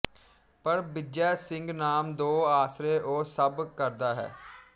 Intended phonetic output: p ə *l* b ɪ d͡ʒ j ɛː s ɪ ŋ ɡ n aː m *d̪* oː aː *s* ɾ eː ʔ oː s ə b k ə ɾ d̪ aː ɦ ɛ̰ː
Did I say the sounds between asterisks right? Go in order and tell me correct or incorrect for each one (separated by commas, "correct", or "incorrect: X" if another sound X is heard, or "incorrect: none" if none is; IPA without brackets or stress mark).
incorrect: ɾ, correct, correct